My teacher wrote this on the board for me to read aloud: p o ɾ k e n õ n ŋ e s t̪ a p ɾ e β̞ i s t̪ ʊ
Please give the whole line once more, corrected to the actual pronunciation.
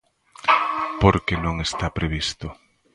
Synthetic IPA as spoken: p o ɾ k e n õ ŋ e s t̪ a p ɾ e β̞ i s t̪ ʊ